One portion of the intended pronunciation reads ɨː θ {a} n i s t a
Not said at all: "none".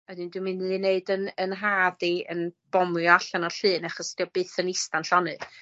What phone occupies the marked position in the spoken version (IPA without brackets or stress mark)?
ə